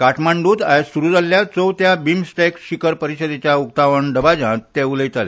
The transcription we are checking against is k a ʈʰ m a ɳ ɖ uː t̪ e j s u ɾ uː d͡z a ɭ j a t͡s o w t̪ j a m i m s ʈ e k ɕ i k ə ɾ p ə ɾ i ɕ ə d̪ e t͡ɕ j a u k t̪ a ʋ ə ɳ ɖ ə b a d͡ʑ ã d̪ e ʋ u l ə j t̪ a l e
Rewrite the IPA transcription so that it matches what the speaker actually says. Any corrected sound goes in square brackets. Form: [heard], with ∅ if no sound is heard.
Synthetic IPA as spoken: k a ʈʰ m a ɳ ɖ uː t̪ [a] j s u ɾ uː d͡z a [l] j a t͡s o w t̪ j a [b] i m s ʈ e k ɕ i k ə ɾ p ə ɾ i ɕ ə d̪ e t͡ɕ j a u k t̪ a ʋ ə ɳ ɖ ə b a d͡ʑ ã [t̪] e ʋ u l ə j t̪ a l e